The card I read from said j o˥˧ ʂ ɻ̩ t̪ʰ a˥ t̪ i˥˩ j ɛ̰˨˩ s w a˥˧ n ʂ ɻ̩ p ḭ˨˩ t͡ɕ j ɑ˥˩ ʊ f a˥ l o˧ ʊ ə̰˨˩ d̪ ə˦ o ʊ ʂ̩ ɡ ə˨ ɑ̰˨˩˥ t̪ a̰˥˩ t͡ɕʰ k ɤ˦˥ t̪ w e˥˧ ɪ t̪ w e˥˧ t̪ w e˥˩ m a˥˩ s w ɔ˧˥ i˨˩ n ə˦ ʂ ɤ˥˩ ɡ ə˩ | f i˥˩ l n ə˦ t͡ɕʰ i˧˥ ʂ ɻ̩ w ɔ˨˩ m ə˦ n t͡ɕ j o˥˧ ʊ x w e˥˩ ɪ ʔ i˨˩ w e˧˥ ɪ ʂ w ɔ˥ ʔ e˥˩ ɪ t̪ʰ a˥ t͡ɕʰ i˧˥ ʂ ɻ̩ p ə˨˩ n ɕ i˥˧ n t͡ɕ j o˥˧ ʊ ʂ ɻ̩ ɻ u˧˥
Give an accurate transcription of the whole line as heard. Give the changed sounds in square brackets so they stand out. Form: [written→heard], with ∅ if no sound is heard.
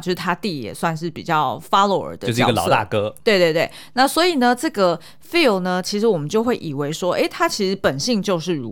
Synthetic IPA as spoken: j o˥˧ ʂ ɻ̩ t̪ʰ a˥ t̪ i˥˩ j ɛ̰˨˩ s w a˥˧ n ʂ ɻ̩ p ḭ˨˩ t͡ɕ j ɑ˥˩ ʊ f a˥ l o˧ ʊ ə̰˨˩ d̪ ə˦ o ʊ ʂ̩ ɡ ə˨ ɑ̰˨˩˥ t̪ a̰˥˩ [t͡ɕʰ→∅] k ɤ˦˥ t̪ w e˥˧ ɪ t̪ w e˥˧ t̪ w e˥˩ [m→n] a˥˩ s w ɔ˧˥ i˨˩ n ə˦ [ʂ→ʈ͡ʂ] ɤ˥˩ ɡ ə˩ | f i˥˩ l n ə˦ t͡ɕʰ i˧˥ ʂ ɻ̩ w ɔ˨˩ m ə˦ n t͡ɕ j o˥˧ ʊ x w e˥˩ ɪ ʔ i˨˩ w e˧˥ ɪ ʂ w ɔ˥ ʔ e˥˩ ɪ t̪ʰ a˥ t͡ɕʰ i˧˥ ʂ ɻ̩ p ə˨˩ n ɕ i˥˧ [n→ŋ] t͡ɕ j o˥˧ ʊ ʂ ɻ̩ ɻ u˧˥